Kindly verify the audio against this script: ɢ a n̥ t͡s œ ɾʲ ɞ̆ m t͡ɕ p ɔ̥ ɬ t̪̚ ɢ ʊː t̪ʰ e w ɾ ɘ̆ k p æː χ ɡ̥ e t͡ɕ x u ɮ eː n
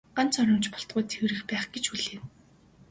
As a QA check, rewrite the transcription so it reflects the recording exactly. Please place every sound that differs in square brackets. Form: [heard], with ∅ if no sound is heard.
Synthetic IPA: ɢ a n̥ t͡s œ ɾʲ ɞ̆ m t͡ɕ p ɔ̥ ɬ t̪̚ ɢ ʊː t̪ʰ e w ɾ ɘ̆ [x] p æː χ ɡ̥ e t͡ɕ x u ɮ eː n